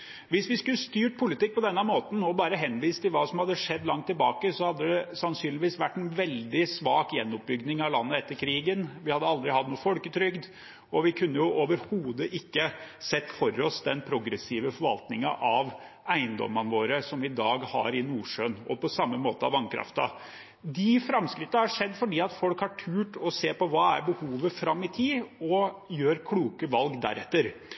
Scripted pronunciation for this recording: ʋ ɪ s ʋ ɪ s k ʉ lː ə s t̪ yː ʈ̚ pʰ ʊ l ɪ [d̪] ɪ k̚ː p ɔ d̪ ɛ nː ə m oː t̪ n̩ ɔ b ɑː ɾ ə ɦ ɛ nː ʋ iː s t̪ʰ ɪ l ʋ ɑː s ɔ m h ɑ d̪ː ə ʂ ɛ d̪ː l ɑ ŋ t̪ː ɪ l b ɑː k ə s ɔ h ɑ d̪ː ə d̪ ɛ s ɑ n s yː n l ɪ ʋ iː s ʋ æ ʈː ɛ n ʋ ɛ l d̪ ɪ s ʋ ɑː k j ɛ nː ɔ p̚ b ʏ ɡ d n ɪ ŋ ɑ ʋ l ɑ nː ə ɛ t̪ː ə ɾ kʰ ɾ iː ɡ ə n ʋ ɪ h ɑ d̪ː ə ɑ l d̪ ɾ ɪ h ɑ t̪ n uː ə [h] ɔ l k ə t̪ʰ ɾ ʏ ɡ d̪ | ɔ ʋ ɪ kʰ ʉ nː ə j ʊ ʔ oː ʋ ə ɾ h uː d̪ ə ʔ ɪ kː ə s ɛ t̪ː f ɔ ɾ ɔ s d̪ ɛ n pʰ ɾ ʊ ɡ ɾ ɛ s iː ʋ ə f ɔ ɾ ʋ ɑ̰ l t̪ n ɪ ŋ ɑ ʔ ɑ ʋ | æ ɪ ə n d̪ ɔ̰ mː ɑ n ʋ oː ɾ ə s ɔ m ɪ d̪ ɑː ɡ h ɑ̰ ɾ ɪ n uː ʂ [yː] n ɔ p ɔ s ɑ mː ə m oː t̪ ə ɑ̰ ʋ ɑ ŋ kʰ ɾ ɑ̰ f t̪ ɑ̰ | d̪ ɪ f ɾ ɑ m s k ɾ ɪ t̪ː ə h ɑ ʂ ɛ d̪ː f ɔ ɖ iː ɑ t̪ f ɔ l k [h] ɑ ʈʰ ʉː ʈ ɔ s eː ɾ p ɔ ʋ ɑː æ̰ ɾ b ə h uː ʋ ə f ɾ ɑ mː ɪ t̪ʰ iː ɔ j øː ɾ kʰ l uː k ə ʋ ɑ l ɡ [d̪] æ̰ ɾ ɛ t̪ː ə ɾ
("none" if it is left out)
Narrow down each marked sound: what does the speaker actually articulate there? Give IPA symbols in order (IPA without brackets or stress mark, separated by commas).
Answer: t̪, f, øː, h, d̪